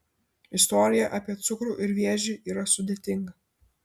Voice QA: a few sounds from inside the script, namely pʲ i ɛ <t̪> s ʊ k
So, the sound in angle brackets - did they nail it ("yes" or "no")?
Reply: yes